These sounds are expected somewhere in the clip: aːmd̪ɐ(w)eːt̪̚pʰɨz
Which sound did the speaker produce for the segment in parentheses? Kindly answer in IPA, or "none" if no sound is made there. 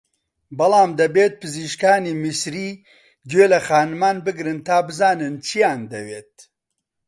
b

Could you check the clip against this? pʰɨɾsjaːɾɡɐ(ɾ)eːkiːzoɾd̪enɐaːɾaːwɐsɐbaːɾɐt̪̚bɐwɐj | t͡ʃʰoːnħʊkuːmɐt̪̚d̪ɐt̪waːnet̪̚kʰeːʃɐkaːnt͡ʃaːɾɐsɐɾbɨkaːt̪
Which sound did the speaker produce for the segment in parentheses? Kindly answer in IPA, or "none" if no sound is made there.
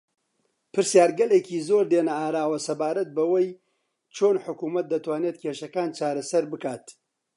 l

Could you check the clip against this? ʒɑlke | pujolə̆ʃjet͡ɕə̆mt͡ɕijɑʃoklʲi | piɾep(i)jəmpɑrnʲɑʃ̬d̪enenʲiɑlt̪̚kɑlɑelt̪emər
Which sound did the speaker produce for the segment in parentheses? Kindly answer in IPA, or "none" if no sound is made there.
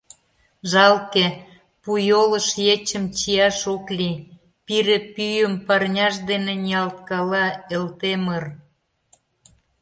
y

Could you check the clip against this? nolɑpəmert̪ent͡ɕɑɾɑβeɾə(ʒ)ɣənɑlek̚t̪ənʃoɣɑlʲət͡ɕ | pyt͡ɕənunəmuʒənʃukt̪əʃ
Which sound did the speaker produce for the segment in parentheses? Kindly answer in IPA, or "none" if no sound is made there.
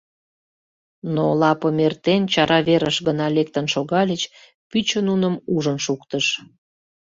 ʃ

